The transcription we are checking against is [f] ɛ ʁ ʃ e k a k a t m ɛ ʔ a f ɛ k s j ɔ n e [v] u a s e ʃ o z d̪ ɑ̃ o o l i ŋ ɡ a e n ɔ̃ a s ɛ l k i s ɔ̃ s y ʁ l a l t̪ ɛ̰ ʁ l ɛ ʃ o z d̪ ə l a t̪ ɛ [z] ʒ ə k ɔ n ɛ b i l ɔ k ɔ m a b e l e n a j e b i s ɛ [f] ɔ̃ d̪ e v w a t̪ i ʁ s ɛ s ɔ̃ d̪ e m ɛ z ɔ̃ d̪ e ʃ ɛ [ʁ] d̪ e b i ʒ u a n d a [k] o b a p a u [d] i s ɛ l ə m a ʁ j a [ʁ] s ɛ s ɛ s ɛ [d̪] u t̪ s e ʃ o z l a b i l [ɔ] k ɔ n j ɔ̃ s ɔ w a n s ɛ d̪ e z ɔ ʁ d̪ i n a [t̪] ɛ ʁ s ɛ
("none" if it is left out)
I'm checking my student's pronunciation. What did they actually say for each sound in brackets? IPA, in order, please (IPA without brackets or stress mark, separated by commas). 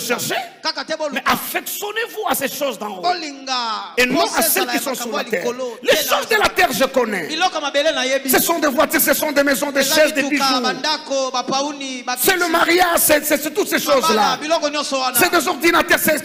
ʃ, v, ʁ, s, z, k, n, ʒ, t̪, ɔ, t̪